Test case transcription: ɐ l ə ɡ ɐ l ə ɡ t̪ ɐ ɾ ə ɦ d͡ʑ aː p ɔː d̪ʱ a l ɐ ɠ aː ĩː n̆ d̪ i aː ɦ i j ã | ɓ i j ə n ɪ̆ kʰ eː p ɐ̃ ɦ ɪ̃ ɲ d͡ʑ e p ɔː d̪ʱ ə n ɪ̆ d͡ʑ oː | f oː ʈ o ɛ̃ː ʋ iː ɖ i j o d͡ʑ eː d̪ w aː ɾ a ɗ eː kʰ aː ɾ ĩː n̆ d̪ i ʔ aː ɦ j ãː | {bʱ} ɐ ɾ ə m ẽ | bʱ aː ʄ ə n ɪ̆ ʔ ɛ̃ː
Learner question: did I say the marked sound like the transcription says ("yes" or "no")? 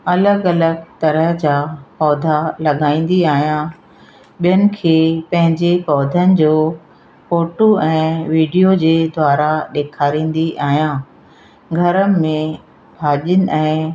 no